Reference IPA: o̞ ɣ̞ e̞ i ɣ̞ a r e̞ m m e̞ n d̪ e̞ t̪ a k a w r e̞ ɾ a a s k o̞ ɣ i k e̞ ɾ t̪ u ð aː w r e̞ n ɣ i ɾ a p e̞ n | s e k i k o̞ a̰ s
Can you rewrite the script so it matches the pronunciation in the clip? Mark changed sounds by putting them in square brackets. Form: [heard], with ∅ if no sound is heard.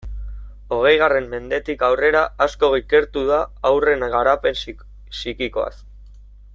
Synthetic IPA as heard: o̞ ɣ̞ e̞ [j] ɣ̞ a r e̞ m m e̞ n d̪ e̞ t̪ [i] k a w r e̞ ɾ a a s k o̞ ɣ i k e̞ ɾ t̪ u ð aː w r e̞ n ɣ [a] ɾ a p e̞ n | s [i] k i k o̞ a̰ s